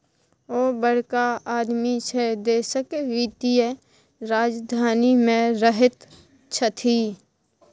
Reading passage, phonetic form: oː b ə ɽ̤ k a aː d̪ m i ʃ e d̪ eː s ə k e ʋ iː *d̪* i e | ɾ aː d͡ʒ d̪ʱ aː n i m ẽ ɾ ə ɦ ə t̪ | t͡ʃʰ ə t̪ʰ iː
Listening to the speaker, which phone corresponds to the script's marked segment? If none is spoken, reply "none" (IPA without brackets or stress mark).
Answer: t̪